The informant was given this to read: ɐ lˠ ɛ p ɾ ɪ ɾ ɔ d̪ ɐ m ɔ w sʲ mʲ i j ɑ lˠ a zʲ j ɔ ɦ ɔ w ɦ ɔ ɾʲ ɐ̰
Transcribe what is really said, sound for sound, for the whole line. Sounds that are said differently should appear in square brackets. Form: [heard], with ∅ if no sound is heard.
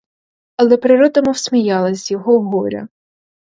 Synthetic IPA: ɐ lˠ ɛ p ɾ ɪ ɾ ɔ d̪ ɐ m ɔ w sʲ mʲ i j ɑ lˠ [ɐ] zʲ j ɔ ɦ ɔ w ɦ ɔ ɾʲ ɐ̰